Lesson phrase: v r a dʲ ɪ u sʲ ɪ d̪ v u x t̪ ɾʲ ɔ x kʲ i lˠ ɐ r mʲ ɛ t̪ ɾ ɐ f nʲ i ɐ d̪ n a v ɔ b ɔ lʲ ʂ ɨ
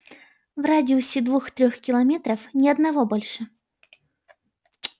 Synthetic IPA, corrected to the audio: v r a dʲ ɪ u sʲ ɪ d̪ v u x t̪ ɾʲ ɔ x kʲ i lˠ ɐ mʲ ɛ t̪ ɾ ɐ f nʲ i ɐ d̪ n a v ɔ b ɔ lʲ ʂ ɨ